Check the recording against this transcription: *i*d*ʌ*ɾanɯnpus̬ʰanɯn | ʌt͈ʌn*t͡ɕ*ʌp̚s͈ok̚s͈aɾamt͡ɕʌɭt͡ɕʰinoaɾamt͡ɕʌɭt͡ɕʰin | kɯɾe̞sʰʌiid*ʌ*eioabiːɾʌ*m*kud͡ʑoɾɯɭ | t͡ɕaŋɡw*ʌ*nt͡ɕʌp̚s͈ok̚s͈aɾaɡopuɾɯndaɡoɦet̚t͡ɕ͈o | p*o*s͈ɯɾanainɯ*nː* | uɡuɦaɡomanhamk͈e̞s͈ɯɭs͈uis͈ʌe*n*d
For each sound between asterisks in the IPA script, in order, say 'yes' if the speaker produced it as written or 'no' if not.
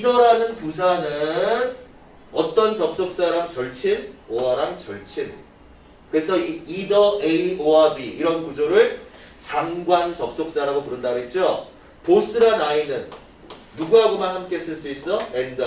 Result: yes, yes, yes, yes, no, no, yes, yes, yes

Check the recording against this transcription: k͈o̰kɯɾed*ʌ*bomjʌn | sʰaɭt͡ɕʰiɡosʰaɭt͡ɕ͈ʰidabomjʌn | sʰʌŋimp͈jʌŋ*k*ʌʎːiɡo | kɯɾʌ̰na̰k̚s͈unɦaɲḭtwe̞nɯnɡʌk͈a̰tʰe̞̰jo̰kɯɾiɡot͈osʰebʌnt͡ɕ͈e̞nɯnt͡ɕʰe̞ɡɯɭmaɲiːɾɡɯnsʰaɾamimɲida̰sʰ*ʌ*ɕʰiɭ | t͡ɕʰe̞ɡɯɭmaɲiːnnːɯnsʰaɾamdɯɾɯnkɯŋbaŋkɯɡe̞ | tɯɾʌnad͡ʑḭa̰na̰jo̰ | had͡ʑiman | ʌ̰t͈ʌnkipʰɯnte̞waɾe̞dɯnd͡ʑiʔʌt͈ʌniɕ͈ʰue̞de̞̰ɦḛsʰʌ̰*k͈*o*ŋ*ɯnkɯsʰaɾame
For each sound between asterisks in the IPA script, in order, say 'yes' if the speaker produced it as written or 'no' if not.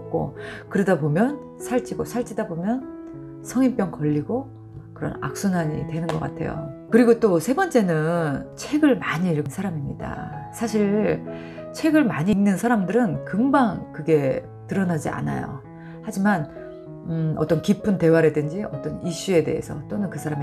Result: no, yes, no, no, no

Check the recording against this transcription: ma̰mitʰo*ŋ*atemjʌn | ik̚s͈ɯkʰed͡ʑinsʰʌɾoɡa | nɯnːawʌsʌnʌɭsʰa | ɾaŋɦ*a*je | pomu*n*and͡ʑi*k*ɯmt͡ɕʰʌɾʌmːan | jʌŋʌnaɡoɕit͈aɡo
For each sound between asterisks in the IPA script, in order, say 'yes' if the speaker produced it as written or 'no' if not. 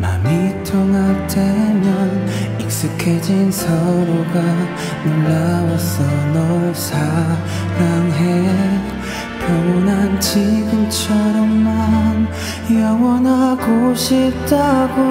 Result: yes, no, yes, no

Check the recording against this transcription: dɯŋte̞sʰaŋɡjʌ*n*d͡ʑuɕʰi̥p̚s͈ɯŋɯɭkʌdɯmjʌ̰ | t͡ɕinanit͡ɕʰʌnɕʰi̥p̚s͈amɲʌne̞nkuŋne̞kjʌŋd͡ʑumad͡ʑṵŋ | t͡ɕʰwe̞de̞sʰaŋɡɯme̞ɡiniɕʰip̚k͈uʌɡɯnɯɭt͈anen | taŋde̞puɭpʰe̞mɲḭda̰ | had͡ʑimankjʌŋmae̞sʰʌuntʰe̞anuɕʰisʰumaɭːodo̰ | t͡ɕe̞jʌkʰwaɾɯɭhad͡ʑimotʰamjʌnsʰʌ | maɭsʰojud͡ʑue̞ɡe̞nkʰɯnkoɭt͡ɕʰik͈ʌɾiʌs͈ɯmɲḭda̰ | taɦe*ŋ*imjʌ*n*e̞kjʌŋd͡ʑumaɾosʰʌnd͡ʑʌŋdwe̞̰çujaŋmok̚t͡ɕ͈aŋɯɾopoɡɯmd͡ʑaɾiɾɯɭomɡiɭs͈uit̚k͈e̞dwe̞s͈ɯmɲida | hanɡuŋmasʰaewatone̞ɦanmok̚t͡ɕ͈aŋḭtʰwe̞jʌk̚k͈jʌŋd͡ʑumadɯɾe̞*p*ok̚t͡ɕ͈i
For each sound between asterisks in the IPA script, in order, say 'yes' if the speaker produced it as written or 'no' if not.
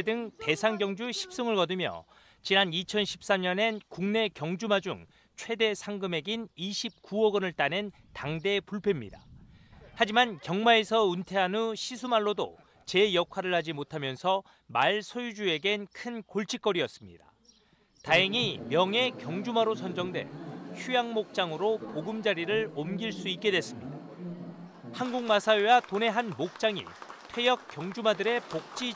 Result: no, yes, no, yes

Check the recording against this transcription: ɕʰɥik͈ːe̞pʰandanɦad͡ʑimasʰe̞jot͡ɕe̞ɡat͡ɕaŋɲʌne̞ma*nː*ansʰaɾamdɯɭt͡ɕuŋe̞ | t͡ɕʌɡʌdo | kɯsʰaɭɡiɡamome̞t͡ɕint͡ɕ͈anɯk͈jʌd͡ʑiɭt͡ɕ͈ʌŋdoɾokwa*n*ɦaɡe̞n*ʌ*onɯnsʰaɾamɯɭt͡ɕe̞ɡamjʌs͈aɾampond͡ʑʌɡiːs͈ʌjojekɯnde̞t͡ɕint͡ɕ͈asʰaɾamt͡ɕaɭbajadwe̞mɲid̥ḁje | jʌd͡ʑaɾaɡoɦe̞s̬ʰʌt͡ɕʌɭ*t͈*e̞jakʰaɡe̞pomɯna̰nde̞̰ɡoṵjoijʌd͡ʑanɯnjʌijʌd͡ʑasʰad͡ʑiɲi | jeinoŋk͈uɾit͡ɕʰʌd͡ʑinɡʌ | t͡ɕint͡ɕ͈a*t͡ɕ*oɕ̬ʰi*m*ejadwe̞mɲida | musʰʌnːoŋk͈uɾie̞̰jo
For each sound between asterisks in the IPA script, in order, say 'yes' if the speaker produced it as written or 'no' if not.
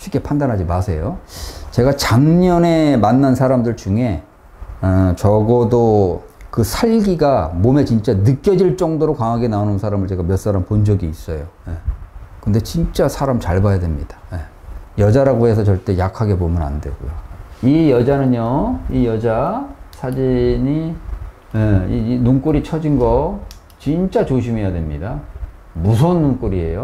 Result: yes, no, no, yes, yes, yes

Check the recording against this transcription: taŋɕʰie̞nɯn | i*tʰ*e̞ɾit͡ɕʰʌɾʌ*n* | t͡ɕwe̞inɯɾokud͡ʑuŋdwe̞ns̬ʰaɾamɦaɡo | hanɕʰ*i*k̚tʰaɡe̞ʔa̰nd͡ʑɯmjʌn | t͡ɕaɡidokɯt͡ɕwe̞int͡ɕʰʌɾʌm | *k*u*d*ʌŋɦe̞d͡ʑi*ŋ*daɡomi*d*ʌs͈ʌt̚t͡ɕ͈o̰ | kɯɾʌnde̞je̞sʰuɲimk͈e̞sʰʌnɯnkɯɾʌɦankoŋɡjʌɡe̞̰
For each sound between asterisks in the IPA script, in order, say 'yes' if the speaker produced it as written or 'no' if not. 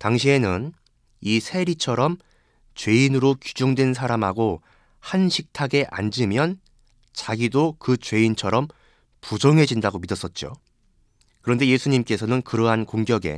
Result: no, no, yes, no, no, no, yes

